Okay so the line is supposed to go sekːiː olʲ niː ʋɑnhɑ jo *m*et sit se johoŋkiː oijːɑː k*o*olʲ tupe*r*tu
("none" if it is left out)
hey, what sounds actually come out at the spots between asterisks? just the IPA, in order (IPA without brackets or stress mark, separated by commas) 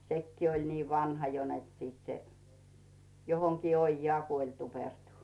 n, u, r